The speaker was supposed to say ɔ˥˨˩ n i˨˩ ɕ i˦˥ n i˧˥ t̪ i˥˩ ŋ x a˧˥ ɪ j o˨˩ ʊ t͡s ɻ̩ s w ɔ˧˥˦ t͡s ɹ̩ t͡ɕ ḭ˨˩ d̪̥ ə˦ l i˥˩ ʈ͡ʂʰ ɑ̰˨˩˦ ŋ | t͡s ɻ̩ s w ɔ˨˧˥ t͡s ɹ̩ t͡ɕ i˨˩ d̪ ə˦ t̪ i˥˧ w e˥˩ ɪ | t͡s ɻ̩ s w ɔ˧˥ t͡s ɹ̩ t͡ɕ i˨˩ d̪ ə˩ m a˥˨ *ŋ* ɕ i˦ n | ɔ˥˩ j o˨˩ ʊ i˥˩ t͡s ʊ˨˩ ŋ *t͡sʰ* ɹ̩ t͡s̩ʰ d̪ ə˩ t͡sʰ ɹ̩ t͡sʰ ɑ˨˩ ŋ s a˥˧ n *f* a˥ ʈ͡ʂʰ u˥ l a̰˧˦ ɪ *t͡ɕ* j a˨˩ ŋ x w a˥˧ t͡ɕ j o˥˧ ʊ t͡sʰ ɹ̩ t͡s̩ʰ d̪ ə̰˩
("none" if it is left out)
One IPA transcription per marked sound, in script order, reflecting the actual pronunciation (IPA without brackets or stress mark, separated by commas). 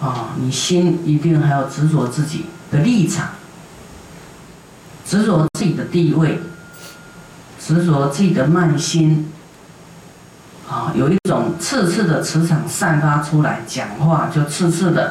n, t͡sʰ, f, t͡ɕ